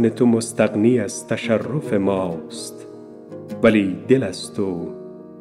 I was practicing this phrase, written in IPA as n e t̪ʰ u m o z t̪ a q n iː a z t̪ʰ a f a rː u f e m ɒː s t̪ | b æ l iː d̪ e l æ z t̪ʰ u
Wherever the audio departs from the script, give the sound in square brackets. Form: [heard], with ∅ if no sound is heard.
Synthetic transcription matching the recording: n e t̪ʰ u m o [s] t̪ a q n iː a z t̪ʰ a [ʃ] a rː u f e m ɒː s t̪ | [v] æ l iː d̪ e l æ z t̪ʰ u